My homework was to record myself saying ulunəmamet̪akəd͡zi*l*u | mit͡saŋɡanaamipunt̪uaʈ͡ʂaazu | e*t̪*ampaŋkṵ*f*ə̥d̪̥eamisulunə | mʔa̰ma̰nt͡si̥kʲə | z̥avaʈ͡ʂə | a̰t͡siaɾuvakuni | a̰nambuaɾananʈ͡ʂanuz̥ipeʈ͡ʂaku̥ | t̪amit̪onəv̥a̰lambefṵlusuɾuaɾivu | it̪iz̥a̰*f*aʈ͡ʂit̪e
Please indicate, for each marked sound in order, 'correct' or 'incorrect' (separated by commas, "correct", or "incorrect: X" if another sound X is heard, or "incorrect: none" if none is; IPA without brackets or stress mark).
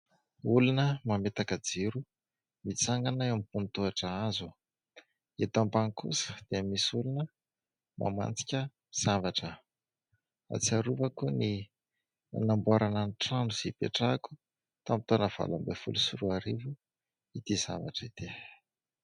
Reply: incorrect: ɾ, correct, incorrect: s, incorrect: v